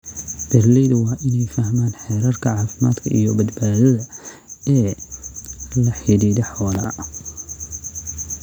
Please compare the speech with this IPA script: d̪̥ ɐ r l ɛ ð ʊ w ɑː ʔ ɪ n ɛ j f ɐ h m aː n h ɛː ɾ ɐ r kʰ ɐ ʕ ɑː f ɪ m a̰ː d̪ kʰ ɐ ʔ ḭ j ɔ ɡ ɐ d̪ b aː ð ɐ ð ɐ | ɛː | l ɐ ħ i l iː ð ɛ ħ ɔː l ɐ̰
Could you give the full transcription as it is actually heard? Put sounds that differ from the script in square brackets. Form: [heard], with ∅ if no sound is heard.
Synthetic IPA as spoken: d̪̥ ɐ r l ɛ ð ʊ w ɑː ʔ ɪ n ɛ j f ɐ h m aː n [ħ] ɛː ɾ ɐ r kʰ ɐ ʕ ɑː f ɪ m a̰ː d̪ kʰ ɐ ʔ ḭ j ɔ [b] ɐ d̪ b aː ð ɐ ð ɐ | ɛː | l ɐ ħ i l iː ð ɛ ħ ɔː l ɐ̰